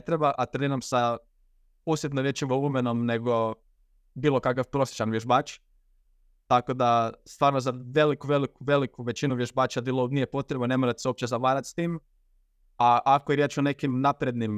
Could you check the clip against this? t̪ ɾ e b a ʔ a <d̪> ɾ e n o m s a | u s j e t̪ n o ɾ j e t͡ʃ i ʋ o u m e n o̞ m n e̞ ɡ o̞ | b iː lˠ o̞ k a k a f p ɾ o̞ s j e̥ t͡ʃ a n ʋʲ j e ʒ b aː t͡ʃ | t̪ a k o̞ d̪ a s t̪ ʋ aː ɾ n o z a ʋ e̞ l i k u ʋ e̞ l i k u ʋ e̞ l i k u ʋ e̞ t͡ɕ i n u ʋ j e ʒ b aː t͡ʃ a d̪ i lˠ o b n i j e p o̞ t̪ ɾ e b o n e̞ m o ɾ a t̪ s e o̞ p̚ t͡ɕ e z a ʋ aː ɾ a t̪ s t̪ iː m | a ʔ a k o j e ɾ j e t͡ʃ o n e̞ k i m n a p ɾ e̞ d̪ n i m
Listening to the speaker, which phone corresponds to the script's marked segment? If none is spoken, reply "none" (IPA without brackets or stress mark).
t̪